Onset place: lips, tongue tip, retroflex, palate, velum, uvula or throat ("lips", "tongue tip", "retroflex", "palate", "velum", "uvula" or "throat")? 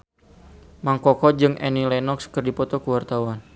lips